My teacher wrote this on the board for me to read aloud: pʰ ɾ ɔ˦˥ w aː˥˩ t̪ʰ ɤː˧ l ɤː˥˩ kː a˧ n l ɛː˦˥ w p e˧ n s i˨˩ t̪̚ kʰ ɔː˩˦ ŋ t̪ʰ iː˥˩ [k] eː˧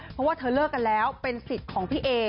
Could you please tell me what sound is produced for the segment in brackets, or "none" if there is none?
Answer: ʔ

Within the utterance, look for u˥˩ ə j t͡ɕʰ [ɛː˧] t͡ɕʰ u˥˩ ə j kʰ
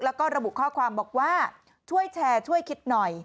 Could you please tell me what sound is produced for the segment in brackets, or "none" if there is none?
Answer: ɛː˧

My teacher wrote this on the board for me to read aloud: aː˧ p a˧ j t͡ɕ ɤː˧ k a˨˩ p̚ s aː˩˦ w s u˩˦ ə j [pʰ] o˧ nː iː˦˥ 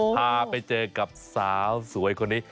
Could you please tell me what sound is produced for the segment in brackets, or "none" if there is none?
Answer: kʰ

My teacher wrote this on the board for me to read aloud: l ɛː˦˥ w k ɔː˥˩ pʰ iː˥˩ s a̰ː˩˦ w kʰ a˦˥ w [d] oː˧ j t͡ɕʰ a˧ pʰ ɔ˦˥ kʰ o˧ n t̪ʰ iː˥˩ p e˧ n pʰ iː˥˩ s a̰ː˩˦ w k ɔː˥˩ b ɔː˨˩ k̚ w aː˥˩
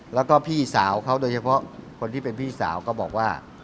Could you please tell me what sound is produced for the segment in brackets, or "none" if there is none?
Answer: d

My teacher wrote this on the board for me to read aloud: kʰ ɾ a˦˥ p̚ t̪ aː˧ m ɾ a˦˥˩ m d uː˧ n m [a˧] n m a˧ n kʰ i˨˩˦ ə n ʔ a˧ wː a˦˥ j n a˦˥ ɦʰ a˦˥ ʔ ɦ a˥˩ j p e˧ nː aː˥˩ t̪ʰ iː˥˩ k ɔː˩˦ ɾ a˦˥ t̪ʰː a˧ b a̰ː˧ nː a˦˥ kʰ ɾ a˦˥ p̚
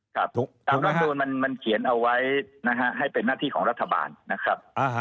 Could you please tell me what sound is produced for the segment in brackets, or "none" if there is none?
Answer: a˧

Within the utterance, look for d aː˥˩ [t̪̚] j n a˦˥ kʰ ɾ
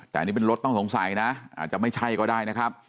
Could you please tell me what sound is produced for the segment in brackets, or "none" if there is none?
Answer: none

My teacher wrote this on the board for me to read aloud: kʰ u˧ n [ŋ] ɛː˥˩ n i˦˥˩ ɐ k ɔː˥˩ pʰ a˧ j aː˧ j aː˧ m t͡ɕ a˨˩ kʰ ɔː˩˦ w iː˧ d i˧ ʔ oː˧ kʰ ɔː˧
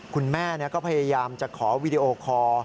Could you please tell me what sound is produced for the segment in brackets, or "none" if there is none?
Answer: m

